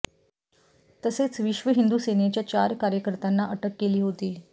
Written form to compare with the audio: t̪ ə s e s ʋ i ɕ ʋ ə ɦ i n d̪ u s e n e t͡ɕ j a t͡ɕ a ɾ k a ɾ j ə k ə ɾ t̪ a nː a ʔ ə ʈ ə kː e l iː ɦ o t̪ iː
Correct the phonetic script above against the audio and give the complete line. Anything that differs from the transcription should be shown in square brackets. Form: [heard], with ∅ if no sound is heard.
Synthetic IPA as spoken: t̪ ə s e [t͡s] ʋ i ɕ ʋ ə ɦ i n d̪ u s e n e t͡ɕ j a t͡ɕ a ɾ k a ɾ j ə k ə ɾ t̪ a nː a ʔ ə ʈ ə kː e l iː ɦ o t̪ iː